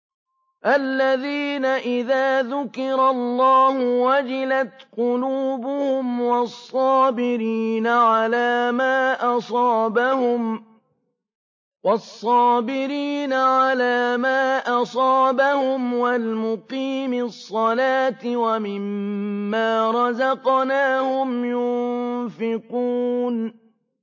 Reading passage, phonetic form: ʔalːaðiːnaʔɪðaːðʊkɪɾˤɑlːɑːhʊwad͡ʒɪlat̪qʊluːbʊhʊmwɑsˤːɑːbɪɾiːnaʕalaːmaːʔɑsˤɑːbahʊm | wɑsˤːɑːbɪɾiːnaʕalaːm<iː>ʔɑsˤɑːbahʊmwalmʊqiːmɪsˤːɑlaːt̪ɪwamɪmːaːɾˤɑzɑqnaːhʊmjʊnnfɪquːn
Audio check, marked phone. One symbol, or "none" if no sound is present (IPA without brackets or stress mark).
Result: aː